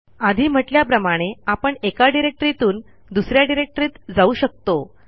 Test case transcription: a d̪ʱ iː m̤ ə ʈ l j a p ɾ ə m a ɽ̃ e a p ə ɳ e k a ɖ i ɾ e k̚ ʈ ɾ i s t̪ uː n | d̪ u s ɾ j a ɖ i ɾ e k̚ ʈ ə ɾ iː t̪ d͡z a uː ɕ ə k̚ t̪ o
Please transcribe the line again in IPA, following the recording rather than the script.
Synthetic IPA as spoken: a d̪ʱ iː m̤ ə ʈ l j a p ɾ ə m a ɽ̃ e a p ə ɳ e k a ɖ i ɾ e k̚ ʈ ɾ i t̪ uː n | d̪ u s ɾ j a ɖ i ɾ e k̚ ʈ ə ɾ iː t̪ d͡z a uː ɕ ə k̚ t̪ o